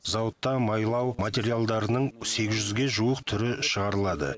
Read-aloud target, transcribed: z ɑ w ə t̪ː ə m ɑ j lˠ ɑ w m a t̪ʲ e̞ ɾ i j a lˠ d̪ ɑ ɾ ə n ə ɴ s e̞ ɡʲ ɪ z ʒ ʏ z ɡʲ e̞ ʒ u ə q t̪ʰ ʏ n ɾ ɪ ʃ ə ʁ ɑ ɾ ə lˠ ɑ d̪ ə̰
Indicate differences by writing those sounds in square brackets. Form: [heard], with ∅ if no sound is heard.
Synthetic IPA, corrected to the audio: z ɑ w ə t̪ː [ɑ] m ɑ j lˠ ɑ w m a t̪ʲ e̞ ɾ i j a lˠ d̪ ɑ ɾ ə n ə ɴ s e̞ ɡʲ ɪ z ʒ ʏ z ɡʲ e̞ ʒ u ə q t̪ʰ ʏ [∅] ɾ ɪ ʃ ə ʁ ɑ ɾ ə lˠ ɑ d̪ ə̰